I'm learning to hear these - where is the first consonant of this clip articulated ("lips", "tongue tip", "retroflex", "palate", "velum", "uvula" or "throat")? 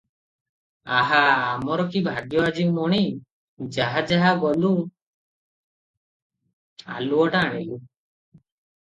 throat